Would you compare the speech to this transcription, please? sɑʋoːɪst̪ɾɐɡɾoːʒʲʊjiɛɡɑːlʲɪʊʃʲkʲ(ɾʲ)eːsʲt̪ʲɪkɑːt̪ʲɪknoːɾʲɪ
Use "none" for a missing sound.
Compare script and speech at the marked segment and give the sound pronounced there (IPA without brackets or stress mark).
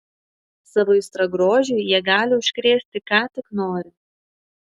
ɾʲ